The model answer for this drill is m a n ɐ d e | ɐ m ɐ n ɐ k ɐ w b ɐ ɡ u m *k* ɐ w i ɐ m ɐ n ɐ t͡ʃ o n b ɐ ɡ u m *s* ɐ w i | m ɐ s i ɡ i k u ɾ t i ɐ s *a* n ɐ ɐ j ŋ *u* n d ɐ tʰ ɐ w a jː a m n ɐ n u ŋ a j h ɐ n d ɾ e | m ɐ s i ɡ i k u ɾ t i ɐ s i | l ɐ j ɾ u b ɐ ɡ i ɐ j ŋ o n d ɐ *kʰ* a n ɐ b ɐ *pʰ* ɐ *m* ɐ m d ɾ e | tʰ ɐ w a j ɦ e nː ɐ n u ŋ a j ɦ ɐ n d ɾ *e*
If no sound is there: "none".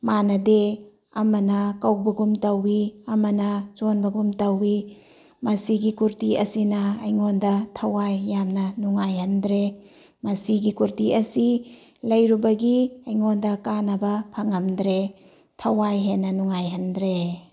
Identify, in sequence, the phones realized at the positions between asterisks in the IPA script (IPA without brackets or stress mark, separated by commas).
t, t, i, o, k, pʰ, ŋ, e